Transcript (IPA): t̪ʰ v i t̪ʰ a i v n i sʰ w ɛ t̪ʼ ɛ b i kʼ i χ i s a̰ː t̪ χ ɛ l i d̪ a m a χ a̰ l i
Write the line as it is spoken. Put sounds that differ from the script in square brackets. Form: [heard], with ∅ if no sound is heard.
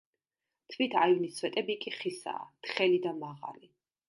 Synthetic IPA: t̪ʰ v i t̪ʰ a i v n i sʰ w ɛ t̪ʼ ɛ b i kʼ i χ i s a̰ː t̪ χ ɛ l i d̪ a m a [ʁ] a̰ l i